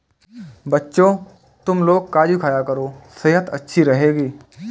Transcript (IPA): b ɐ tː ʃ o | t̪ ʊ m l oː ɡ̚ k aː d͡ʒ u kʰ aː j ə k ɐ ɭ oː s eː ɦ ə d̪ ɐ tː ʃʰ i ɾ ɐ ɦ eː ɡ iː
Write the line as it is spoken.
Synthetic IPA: b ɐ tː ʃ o | t̪ ʊ m l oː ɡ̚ k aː d͡ʒ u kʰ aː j a k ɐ ɾ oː s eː ɦ ə t̪ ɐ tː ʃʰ i ɾ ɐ ɦ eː ɡ iː

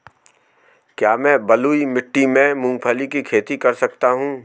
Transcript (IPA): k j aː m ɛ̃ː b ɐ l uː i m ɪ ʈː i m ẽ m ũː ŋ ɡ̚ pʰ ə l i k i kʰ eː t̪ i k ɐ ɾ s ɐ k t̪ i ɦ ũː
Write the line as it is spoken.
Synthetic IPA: k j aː m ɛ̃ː b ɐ l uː i m ɪ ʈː i m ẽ m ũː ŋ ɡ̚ pʰ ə l i k i kʰ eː t̪ i k ɐ ɾ s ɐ k t̪ a ɦ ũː

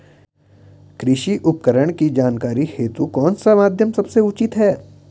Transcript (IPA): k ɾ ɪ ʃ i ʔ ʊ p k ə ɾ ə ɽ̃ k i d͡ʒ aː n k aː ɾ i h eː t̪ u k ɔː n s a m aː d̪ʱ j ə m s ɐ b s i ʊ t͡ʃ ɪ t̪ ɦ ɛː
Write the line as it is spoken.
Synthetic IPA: k ɾ ɪ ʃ i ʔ ʊ p k ə ɾ ə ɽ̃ k i d͡ʒ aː n k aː ɾ i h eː t̪ u k ɔː n s a m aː d̪ʱ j ə m s ɐ b s e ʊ t͡ʃ ɪ t̪ ɦ ɛː

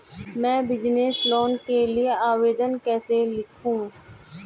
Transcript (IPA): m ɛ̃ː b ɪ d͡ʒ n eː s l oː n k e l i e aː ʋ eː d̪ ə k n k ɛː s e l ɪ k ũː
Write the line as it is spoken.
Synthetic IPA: m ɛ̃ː b ɪ d͡ʒ n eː s l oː n k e l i e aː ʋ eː d̪ ə n k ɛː s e l ɪ kʰ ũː

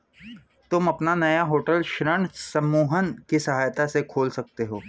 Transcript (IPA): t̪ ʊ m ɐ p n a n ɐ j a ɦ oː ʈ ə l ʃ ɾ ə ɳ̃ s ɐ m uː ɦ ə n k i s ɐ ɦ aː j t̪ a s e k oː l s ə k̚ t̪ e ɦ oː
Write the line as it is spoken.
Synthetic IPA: t̪ ʊ m ɐ p n a n ɐ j a ɦ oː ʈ ə l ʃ ɾ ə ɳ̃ s ɐ m uː ɦ ə n k i s ɐ ɦ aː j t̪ a s e kʰ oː l s ɐ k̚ t̪ e ɦ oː

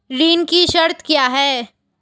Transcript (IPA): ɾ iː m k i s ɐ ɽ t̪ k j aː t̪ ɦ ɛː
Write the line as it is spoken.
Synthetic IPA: ɾ iː n k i ʃ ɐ ɾ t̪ k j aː ɦ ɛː

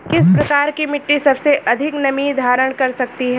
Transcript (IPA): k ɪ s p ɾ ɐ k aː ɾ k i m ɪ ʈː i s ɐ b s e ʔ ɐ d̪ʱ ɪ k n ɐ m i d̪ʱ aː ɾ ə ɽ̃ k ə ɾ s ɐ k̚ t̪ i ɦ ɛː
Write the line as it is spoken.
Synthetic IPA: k ɪ s p ɾ ɐ k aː ɾ k i m ɪ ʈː i s ɐ b s e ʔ ɐ d̪ʱ ɪ k n ɐ m i d̪ʱ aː ɾ ə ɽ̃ k ɐ ɾ s ɐ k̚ t̪ i ɦ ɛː

